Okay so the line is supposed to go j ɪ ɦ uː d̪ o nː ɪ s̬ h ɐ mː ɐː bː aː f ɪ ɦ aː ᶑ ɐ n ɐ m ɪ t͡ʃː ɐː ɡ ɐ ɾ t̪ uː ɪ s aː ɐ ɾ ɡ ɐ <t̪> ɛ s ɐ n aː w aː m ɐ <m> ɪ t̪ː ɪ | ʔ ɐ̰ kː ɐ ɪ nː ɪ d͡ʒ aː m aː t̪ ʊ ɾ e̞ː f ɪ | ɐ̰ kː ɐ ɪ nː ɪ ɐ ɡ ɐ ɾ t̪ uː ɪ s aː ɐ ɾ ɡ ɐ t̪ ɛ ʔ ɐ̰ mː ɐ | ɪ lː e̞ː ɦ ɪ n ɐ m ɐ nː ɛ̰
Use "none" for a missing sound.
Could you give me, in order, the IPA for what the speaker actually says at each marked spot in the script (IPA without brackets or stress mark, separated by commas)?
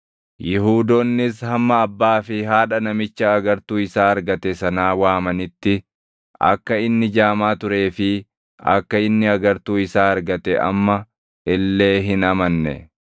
t̪, n